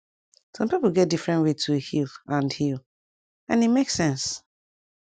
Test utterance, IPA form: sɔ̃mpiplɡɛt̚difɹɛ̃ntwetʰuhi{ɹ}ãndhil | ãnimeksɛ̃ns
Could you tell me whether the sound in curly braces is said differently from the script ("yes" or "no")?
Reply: yes